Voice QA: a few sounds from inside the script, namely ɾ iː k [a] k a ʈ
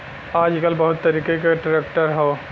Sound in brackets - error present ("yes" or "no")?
yes